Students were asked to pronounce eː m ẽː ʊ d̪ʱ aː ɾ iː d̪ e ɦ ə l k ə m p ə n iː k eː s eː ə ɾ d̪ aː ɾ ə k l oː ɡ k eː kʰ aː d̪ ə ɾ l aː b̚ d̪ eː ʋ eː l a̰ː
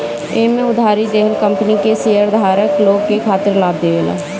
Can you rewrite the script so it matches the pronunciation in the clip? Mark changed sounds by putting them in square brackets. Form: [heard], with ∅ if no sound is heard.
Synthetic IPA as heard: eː m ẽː ʊ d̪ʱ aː ɾ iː d̪ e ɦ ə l k ə m p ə n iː k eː s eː ə ɾ d̪ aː ɾ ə k l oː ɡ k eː kʰ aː [t̪] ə ɾ l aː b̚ d̪ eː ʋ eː l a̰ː